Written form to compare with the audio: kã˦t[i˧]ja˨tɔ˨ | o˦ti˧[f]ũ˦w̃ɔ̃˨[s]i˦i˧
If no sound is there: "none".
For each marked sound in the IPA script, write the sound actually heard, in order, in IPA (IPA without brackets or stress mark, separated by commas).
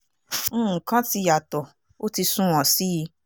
i˧, s, s